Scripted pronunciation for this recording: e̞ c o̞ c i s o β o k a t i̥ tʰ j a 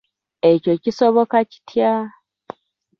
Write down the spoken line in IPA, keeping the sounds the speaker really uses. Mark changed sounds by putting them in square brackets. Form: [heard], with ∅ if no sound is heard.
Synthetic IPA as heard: e̞ c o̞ c i s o β o k a [c] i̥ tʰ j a